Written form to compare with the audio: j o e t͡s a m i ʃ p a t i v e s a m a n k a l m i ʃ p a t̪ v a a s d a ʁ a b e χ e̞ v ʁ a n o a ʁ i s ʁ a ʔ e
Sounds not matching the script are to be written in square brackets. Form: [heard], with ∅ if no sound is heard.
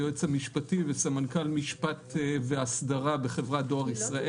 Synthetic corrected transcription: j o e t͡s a m i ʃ p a t i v e s a m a n k a l m i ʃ p a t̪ v [e] a s d a ʁ a b e χ e̞ v ʁ a [d] o a ʁ i s ʁ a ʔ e